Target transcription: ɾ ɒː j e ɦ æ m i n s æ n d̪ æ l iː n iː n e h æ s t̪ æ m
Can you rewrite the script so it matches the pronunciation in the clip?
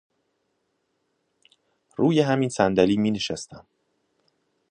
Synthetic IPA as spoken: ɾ uː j e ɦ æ m i n s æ n d̪ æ l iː m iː n e ʃ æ s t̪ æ m